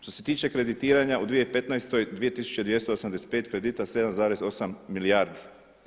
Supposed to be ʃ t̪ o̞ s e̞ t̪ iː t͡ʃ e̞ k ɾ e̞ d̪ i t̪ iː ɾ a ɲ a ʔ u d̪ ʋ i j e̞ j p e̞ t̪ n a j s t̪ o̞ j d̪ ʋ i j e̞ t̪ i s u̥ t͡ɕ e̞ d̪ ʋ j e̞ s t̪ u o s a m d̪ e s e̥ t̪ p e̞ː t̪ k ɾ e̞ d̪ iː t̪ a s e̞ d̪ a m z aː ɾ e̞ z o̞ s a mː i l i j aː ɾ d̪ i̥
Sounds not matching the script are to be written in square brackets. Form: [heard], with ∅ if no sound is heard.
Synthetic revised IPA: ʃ t̪ o̞ s e̞ t̪ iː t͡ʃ e̞ k ɾ e̞ d̪ i t̪ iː ɾ a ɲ a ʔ u d̪ ʋ i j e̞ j p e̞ t̪ n a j s t̪ o̞ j d̪ ʋ i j e̞ t̪ i s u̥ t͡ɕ e̞ d̪ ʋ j e̞ s t̪ [o] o s a m d̪ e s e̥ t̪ p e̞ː t̪ k ɾ e̞ d̪ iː t̪ a s e̞ d̪ a m z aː ɾ e̞ z o̞ s a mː i l i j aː ɾ d̪ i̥

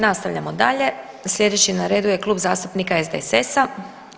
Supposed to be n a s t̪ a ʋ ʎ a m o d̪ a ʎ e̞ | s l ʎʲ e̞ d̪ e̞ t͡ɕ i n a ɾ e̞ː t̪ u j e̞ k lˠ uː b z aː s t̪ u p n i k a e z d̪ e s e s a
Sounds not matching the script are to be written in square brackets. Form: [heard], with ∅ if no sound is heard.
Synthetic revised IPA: n a s t̪ a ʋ ʎ a m o d̪ a ʎ e̞ | s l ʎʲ e̞ d̪ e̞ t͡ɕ i n a ɾ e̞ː [d̪] u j e̞ k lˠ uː b z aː s t̪ u p n i k a e z d̪ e s e s a

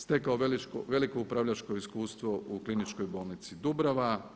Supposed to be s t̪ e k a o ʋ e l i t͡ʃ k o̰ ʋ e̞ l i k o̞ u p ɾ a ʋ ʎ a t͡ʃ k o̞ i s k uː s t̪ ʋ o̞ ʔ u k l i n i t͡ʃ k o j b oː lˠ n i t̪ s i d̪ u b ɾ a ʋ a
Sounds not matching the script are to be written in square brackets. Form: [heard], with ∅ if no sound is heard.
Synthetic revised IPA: s t̪ e k a o ʋ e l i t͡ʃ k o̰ ʋ e̞ l i k o̞ u p ɾ a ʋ ʎ a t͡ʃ k o̞ i s k uː s t̪ ʋ o̞ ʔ u k l i n i t͡ʃ k o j b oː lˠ n i t̪ s i d̪ u b ɾ a ʋ a

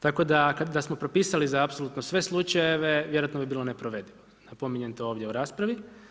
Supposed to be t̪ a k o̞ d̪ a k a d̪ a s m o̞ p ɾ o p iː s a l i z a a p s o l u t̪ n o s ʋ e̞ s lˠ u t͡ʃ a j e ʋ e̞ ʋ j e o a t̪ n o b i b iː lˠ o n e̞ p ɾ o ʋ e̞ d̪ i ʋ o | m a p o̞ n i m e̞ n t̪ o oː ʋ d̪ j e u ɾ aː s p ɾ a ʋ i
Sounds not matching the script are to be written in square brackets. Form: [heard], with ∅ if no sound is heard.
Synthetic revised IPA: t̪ a k o̞ d̪ a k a d̪ a s m o̞ p ɾ o p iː s a l i z a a p s o l u t̪ n o s ʋ e̞ s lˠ u t͡ʃ a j e ʋ e̞ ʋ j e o a t̪ n o b i b iː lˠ o n e̞ p ɾ o ʋ e̞ d̪ i ʋ o | [n] a p o̞ [m] i [ɲ] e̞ n t̪ o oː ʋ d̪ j e u ɾ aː s p ɾ a ʋ i

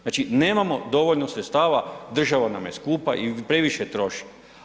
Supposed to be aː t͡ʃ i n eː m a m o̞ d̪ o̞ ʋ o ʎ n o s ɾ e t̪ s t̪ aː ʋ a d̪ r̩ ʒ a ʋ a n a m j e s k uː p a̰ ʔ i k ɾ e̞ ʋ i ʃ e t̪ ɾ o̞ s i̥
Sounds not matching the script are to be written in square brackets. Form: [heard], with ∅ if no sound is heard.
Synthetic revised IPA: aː t͡ʃ i n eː m a m o̞ d̪ o̞ ʋ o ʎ n o s ɾ e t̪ s t̪ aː ʋ a d̪ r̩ ʒ a ʋ a n a m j e s k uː p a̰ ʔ i [p] ɾ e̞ ʋ i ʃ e t̪ ɾ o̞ [ʃ] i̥

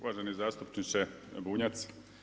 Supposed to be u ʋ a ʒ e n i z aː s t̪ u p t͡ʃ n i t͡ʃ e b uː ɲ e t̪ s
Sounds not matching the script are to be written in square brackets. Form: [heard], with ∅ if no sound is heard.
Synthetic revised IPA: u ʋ a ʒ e n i z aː s t̪ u p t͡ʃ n i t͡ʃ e b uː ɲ [a] t̪ s

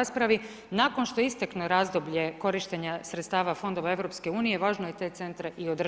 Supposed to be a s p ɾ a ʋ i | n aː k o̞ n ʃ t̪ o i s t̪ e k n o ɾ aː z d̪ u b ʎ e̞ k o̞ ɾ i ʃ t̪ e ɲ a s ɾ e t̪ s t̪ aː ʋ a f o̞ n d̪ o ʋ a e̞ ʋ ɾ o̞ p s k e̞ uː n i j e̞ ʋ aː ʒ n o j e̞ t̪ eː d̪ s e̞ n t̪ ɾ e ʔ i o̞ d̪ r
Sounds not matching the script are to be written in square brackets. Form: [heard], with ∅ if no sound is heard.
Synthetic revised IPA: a s p ɾ a ʋ i | n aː k o̞ n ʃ t̪ o i s t̪ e k n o ɾ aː z d̪ [o] b ʎ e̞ k o̞ ɾ i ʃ t̪ e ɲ a s ɾ e t̪ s t̪ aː ʋ a f o̞ n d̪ o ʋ a e̞ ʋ ɾ o̞ p s k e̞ uː n i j e̞ ʋ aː ʒ n o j e̞ t̪ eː [t̪] s e̞ n t̪ ɾ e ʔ i o̞ d̪ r

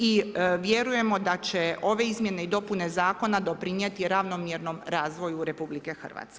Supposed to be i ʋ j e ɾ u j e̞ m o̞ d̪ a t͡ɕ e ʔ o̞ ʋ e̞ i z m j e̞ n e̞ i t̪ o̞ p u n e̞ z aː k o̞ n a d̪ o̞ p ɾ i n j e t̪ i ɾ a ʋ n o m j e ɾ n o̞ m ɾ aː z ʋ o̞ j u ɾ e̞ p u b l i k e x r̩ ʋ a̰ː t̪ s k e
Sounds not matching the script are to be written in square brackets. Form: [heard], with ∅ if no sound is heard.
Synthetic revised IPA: i ʋ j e ɾ u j e̞ m o̞ d̪ a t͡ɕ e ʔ o̞ ʋ e̞ i z m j e̞ n e̞ i [d̪] o̞ p u n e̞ z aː k o̞ n a d̪ o̞ p ɾ i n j e t̪ i ɾ a ʋ n o m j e ɾ n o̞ m ɾ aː z ʋ o̞ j u ɾ e̞ p u b l i k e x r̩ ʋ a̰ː t̪ s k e

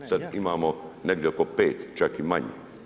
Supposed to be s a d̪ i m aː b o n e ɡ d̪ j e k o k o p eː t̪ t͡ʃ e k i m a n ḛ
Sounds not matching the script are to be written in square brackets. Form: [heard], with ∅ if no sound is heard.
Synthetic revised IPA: s a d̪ i m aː [m] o n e ɡ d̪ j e [∅] o k o p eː t̪ t͡ʃ [a] k i m a [ɲ] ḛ

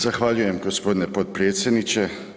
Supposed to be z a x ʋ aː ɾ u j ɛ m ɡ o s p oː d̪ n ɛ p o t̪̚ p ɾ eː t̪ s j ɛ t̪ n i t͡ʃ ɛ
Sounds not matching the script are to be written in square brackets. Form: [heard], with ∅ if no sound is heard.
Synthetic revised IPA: z a x ʋ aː [ʎ] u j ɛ m ɡ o s p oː d̪ n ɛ p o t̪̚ p ɾ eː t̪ s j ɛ [d̪] n i t͡ʃ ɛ

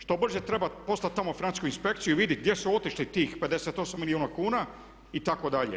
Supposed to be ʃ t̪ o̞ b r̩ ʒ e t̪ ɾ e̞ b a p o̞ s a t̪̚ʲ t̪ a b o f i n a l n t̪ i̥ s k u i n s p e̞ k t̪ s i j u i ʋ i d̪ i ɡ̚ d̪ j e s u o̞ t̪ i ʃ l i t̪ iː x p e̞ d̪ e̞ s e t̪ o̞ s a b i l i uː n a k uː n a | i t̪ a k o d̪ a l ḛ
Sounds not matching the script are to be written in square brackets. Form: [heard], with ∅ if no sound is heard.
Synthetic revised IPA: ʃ t̪ o̞ b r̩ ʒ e t̪ ɾ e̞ b a p o̞ s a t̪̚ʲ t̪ a [m] o f i n a [∅] n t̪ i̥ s k u i n s p e̞ k t̪ s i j u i ʋ i d̪ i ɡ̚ d̪ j e s u o̞ t̪ i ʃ l i t̪ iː x p e̞ d̪ e̞ s e t̪ o̞ s a [m] i l i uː n a k uː n a | i t̪ a k o d̪ a [ʎ] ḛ

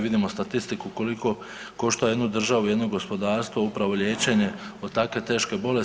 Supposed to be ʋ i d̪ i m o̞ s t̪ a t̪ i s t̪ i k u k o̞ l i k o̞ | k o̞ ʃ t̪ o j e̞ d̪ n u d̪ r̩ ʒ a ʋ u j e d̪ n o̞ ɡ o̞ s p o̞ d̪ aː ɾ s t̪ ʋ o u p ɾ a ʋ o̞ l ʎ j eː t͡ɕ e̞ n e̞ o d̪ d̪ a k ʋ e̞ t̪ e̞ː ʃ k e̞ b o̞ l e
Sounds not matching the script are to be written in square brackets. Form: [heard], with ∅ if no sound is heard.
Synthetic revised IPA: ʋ i d̪ i m o̞ s t̪ a t̪ i s t̪ i k u k o̞ l i k o̞ | k o̞ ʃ t̪ o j e̞ d̪ n u d̪ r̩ ʒ a ʋ u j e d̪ n o̞ ɡ o̞ s p o̞ d̪ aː ɾ s t̪ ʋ o u p ɾ a ʋ o̞ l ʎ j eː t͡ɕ e̞ [ɲ] e̞ o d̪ [t̪] a k ʋ e̞ t̪ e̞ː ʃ k e̞ b o̞ l e

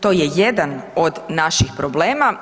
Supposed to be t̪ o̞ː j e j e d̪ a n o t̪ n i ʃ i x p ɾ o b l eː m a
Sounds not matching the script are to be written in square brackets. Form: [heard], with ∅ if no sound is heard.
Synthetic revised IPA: t̪ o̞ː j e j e d̪ a n o [d̪] n [a] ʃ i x p ɾ o b l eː m a

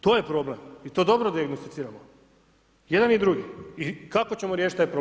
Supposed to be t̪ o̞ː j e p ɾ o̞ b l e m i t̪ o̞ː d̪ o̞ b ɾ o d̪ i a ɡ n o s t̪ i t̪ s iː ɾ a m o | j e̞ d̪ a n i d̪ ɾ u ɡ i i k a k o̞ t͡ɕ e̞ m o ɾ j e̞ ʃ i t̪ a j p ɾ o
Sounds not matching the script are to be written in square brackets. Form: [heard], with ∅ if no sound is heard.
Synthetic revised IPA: t̪ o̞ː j e p ɾ o̞ b l e m i t̪ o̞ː d̪ o̞ b ɾ o d̪ i a ɡ n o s t̪ i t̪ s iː ɾ a m o | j e̞ d̪ a n i d̪ ɾ u ɡ i i k a k o̞ t͡ɕ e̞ m o ɾ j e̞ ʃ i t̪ a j p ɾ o

